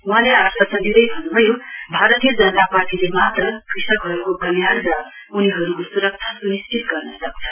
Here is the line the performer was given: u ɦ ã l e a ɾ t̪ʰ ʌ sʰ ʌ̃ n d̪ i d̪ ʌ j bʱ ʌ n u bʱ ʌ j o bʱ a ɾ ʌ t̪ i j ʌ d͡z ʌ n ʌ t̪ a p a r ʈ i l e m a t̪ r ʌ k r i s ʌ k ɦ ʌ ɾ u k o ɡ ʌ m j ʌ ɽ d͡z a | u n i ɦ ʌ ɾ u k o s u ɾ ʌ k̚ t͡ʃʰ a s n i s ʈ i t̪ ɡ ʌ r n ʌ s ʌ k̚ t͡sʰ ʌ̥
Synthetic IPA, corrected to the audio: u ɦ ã l e a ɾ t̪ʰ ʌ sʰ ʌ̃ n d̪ i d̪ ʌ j bʱ ʌ n u bʱ ʌ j o bʱ a ɾ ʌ t̪ i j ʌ d͡z ʌ n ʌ t̪ a p a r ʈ i l e m a t̪ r ʌ k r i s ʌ k ɦ ʌ ɾ u k o ɡ ʌ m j a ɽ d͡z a | u n i ɦ ʌ ɾ u k o s u ɾ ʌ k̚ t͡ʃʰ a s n i s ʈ i t̪ ɡ ʌ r n ʌ s ʌ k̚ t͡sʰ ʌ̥